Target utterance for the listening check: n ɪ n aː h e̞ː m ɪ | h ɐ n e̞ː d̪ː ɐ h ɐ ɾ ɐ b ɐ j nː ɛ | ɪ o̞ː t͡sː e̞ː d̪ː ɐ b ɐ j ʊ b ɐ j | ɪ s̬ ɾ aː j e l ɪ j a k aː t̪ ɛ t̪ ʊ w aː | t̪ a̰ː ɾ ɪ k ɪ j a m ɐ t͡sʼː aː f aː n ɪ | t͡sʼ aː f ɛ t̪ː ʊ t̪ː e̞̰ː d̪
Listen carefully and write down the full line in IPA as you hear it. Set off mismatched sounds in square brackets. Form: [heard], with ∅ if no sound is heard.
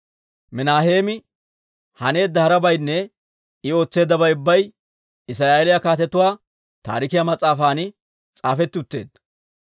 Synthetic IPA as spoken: [m] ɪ n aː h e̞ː m ɪ | h ɐ n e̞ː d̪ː ɐ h ɐ ɾ ɐ b ɐ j nː ɛ | ɪ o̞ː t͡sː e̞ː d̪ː ɐ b ɐ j ʊ [bː] ɐ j | ɪ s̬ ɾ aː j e l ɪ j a k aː t̪ ɛ t̪ ʊ w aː | t̪ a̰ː ɾ ɪ k ɪ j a m ɐ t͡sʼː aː f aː n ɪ | t͡sʼ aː f ɛ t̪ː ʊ t̪ː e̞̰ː d̪